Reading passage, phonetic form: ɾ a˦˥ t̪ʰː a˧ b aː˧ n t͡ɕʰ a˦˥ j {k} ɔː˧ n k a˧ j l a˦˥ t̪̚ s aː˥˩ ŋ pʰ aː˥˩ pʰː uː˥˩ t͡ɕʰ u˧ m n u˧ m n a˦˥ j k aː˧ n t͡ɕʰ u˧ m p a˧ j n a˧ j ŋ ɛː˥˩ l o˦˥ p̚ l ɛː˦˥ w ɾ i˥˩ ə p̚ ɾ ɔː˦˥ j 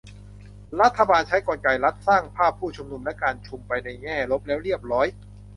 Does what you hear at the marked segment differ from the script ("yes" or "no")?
no